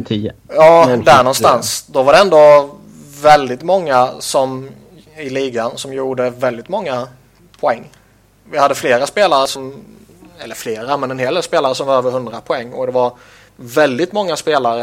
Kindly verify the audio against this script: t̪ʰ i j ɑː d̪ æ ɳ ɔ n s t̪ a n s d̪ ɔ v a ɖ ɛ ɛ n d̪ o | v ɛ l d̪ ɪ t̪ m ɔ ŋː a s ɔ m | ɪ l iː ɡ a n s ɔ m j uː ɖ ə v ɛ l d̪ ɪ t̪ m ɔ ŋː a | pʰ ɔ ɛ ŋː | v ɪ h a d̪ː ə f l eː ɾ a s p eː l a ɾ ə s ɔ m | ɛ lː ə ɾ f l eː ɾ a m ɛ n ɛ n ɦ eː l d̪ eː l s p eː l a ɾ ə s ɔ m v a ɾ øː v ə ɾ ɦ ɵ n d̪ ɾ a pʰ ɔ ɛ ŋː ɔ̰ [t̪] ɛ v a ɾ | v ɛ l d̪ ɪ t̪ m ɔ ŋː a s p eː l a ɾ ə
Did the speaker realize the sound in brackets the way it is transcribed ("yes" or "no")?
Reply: no